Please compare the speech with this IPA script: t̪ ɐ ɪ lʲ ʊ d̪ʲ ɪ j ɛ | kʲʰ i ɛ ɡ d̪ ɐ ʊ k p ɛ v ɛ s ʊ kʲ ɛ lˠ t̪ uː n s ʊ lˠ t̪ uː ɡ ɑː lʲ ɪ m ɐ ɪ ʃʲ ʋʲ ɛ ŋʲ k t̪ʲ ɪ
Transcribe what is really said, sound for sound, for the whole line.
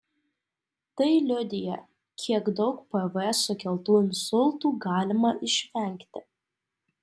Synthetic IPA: t̪ ɐ ɪ lʲ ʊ d̪ʲ ɪ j ɛ | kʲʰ i ɛ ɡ d̪ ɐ ʊ k p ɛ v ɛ s ʊ kʲ ɛ lˠ t̪ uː n s ʊ lˠ t̪ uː ɡ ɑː lʲ ɪ m ɐ ɪ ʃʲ ʋʲ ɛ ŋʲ k t̪ʲ ɪ